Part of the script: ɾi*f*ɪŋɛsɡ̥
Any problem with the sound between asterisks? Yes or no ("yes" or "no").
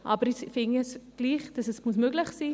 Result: no